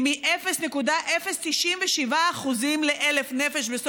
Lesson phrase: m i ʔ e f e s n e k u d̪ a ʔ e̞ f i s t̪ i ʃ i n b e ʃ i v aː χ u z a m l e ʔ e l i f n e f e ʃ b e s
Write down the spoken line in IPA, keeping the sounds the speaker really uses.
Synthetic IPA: m i ʔ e f e s n e k u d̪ a ʔ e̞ f e s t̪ i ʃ i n v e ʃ i v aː χ u z i m l e ʔ e l e f n e f e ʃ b e s